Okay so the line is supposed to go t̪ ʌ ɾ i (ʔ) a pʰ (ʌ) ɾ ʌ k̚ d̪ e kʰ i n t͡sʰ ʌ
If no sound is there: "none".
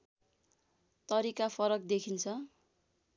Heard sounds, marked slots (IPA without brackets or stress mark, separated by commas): k, ʌ